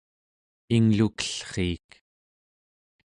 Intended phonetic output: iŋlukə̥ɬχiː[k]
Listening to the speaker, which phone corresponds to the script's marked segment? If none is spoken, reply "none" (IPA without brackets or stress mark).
k